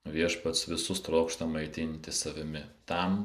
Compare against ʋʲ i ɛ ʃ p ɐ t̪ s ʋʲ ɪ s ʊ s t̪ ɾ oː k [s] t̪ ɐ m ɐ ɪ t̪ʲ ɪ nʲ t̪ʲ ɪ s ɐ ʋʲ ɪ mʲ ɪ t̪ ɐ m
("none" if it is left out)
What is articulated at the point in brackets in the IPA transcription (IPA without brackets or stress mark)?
ʃ